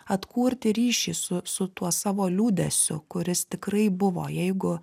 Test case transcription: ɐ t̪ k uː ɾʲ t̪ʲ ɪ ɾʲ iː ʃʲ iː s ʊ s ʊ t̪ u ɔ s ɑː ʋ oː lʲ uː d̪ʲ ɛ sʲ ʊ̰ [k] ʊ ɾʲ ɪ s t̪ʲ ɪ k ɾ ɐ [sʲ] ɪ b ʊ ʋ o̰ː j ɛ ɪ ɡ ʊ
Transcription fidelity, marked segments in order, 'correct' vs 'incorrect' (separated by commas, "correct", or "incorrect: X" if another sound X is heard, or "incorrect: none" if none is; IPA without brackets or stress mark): correct, incorrect: none